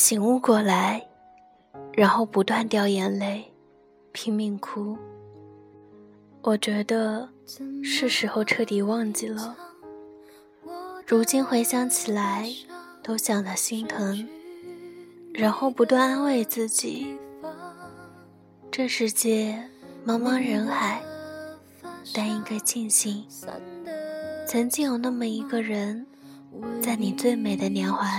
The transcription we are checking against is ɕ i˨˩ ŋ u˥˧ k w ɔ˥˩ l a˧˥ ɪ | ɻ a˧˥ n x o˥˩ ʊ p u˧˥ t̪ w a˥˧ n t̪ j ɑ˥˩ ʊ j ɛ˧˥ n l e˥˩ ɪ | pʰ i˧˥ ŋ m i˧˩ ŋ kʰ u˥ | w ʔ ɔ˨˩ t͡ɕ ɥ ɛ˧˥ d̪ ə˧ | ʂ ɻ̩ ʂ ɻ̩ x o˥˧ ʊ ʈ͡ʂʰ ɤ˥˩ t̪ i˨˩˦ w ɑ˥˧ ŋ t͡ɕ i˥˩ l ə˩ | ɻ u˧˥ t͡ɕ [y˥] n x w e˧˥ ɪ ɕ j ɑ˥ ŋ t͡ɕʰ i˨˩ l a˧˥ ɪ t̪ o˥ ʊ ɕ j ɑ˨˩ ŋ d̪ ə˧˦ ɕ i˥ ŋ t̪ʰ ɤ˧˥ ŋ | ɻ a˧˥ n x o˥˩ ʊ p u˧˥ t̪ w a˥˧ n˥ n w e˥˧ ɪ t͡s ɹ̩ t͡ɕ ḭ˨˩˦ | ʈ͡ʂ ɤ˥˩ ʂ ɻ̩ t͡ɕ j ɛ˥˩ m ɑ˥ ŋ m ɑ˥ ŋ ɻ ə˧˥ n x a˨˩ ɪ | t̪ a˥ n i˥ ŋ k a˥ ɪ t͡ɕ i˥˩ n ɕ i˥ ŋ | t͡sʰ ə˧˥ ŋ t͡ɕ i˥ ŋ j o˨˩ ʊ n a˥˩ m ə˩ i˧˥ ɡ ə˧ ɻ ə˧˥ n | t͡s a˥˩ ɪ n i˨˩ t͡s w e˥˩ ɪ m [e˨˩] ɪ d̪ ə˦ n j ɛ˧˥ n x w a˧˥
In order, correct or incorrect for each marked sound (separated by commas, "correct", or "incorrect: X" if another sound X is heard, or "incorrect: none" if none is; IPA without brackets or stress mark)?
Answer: incorrect: i˥, correct